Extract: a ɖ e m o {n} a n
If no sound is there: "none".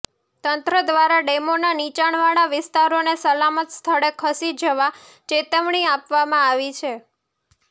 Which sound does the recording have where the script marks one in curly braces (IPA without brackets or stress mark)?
n